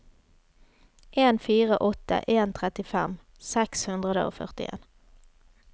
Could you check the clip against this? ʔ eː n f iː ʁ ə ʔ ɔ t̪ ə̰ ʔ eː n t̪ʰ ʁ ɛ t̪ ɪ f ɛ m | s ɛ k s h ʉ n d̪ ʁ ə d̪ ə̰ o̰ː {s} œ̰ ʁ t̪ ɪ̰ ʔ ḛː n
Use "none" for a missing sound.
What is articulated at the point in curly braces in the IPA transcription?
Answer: f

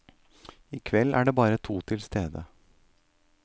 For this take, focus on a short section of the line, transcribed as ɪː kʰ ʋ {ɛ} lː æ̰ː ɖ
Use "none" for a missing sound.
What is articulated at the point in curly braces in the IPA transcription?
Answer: ɛ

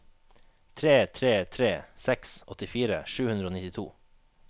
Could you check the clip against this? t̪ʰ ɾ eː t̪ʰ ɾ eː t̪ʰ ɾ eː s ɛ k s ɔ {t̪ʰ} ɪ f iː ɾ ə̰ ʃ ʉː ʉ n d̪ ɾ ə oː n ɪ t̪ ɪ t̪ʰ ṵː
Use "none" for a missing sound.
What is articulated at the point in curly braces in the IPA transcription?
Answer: t̪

